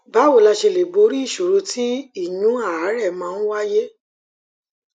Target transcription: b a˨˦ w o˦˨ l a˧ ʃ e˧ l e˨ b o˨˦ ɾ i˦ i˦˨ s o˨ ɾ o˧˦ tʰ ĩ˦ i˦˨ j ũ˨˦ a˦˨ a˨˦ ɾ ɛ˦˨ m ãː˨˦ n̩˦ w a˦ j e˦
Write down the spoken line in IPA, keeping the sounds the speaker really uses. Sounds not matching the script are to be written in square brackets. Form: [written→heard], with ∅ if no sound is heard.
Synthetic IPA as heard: b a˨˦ w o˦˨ l a˧ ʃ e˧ l e˨ b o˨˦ ɾ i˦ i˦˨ [s→ʃ] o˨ ɾ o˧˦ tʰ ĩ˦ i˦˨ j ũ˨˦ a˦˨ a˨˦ ɾ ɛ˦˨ m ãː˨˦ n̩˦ w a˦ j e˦